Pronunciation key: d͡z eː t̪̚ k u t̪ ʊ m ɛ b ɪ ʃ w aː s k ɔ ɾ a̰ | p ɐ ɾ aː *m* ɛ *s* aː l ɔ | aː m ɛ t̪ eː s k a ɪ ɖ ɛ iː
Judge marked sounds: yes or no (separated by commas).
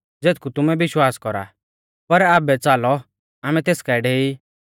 no, no